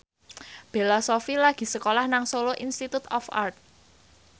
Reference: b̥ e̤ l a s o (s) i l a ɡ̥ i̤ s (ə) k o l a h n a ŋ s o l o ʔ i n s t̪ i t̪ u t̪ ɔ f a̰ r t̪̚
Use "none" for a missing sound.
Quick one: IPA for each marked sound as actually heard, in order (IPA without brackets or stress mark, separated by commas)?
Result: f, ə